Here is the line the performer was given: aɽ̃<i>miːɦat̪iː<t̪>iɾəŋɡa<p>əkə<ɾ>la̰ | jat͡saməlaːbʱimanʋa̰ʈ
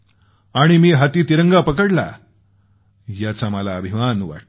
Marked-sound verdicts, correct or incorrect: correct, correct, correct, incorrect: ɽ

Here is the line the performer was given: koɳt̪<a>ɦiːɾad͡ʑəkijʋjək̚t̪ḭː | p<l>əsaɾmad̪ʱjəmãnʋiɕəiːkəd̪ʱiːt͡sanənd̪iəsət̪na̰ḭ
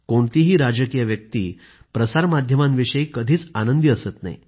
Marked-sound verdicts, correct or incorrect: incorrect: i, incorrect: ɾ

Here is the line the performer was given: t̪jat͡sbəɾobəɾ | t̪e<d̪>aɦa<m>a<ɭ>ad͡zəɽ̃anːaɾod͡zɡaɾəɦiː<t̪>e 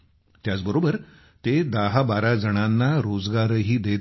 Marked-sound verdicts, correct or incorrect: correct, incorrect: b, incorrect: ɾ, incorrect: d̪

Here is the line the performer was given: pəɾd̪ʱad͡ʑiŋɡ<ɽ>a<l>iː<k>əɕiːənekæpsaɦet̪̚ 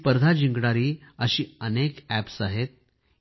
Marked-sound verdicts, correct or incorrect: correct, incorrect: ɾ, incorrect: none

